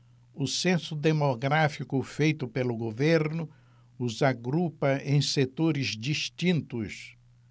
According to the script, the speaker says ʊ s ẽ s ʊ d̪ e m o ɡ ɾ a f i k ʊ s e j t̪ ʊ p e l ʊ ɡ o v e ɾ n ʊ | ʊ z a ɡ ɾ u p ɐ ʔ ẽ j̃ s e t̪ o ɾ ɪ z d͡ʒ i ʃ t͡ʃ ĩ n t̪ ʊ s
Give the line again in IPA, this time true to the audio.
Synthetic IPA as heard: ʊ s ẽ s ʊ d̪ e m o ɡ ɾ a f i k ʊ f e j t̪ ʊ p e l ʊ ɡ o v e ɾ n ʊ | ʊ z a ɡ ɾ u p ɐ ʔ ẽ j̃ s e t̪ o ɾ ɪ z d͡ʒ i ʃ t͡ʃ ĩ n t̪ ʊ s